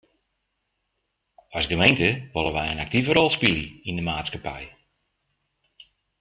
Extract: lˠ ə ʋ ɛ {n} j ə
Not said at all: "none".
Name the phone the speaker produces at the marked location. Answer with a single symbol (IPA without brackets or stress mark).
none